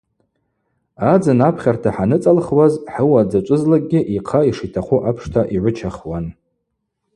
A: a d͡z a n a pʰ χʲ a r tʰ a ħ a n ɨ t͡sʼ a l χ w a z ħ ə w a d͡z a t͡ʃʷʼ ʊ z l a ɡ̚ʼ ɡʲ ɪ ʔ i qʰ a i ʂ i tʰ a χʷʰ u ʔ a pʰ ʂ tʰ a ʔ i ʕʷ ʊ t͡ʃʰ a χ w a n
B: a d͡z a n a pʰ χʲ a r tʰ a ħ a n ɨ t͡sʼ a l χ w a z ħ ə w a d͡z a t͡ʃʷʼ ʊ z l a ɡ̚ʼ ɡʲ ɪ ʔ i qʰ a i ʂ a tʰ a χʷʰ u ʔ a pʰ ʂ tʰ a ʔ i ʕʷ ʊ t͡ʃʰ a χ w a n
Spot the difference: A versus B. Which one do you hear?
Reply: A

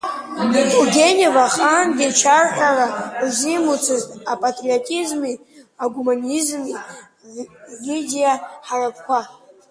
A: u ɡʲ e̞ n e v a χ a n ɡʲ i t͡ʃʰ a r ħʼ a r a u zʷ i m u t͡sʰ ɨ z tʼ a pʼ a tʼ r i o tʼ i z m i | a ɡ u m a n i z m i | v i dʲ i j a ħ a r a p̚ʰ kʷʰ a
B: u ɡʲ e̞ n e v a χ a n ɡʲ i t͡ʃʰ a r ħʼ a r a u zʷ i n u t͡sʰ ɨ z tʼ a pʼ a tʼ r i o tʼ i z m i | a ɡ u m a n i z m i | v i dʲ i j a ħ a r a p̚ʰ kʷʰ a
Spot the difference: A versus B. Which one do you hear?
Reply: A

